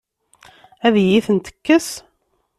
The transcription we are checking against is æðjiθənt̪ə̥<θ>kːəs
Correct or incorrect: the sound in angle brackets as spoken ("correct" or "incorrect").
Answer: incorrect